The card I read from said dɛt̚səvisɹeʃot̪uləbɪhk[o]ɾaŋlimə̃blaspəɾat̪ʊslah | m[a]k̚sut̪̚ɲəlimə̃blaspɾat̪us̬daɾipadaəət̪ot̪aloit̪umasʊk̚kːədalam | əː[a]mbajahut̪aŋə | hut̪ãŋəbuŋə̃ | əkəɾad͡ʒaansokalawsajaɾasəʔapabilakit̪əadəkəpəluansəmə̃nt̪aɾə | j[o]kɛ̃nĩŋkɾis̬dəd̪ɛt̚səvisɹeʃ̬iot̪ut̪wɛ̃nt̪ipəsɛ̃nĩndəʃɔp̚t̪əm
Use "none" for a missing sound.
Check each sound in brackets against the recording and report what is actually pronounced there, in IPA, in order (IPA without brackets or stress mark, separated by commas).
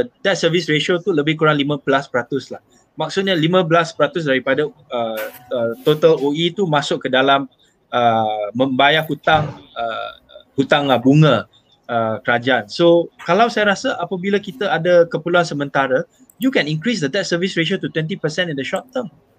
u, a, ə, u